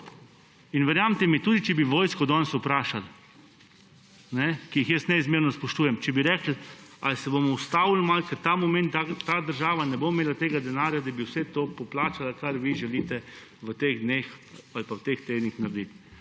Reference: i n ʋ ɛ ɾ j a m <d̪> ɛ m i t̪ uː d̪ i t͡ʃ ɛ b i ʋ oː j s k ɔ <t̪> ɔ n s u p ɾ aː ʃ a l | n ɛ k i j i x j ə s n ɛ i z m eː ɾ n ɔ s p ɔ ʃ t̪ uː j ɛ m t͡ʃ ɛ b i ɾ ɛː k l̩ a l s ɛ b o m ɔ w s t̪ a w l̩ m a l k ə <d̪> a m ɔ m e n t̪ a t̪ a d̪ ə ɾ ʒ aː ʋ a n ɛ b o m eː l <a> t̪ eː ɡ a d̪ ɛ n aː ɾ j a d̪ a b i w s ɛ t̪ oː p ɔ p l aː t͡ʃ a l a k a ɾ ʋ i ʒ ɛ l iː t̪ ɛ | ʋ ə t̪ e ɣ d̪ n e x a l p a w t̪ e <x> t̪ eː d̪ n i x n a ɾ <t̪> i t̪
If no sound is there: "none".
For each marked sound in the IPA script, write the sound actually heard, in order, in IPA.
t̪, d̪, t̪, a, x, d̪

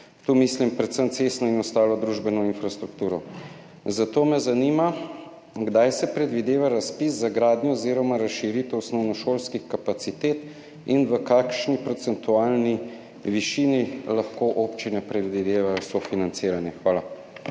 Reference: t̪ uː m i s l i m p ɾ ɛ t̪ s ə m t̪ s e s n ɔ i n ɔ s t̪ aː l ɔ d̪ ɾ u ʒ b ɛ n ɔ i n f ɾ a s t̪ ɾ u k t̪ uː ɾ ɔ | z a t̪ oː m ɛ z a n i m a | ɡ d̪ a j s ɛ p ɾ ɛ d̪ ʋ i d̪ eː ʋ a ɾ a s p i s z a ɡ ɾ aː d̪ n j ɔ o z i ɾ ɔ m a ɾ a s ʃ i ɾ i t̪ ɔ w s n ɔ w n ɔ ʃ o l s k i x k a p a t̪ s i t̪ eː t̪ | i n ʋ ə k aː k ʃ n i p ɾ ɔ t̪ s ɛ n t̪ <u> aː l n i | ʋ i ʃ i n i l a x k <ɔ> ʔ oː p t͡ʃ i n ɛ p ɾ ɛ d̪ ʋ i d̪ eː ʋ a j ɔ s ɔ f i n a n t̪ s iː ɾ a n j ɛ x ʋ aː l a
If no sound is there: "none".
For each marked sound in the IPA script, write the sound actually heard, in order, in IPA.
u, o

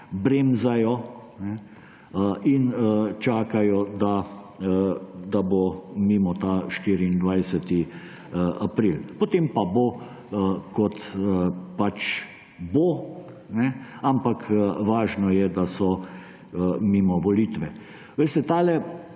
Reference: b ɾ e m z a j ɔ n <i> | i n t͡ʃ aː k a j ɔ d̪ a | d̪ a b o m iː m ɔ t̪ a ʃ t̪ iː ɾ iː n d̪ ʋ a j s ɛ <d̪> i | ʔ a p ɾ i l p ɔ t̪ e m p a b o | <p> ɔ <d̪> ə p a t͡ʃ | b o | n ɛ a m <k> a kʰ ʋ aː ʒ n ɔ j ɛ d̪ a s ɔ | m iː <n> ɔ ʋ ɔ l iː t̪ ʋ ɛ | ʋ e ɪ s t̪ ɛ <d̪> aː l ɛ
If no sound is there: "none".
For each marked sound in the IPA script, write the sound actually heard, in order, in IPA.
ɛ, t̪, k, t̪, p, m, t̪

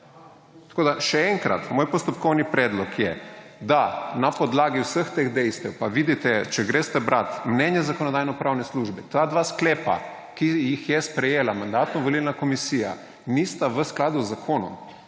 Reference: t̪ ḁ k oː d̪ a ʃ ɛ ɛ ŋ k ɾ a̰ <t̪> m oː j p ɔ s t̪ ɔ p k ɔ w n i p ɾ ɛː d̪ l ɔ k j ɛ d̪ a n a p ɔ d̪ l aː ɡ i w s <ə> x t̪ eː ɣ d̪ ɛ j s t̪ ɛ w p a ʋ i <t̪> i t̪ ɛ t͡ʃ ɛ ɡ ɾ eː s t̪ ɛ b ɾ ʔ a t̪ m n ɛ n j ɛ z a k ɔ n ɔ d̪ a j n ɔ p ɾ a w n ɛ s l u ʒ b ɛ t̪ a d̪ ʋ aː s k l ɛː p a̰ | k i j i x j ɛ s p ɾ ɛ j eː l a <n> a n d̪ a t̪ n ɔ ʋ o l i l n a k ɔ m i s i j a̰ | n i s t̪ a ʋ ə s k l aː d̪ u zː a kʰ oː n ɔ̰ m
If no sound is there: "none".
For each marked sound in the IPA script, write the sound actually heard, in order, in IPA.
t̪, ə, d̪, m

